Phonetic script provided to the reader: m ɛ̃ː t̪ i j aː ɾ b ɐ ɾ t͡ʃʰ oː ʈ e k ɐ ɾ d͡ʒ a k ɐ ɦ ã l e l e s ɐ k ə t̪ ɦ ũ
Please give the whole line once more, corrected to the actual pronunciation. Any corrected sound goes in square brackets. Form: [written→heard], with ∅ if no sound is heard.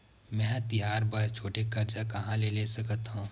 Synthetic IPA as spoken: m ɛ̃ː t̪ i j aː ɾ b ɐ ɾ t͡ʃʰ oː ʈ e k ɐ ɾ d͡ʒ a k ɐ ɦ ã l e l e s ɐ k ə t̪ ɦ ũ

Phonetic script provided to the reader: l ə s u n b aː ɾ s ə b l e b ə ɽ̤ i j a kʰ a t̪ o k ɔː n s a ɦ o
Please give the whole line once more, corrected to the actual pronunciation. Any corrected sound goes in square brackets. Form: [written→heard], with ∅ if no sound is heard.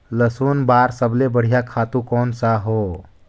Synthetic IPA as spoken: l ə s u n b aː ɾ s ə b l e b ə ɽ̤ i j a kʰ a t̪ [o→u] k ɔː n s a ɦ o

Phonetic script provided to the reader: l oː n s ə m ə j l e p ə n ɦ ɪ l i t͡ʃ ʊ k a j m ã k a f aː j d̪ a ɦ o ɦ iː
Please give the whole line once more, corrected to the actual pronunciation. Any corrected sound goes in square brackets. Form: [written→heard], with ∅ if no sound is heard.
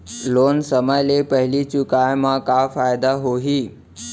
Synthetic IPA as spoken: l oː n s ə m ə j l e p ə [n→∅] ɦ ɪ l i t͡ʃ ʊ k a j m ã k a f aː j d̪ a ɦ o ɦ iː

